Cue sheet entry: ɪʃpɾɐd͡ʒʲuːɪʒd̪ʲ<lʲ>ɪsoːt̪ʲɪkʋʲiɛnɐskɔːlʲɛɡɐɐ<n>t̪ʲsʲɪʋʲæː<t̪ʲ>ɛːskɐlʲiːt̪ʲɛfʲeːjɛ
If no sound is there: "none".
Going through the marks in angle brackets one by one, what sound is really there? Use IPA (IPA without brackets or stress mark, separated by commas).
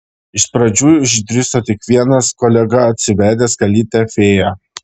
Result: ɾʲ, none, d̪ʲ